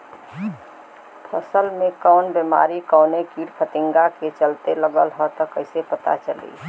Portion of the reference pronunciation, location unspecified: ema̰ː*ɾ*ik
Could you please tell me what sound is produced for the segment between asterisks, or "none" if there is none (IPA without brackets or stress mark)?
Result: ɾ